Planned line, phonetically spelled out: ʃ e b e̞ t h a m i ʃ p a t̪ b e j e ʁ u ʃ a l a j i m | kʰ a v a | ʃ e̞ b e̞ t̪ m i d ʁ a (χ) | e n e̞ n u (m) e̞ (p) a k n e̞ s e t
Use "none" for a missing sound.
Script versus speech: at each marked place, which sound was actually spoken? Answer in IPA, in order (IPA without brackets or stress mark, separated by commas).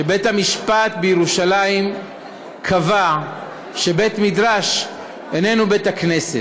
ʃ, b, t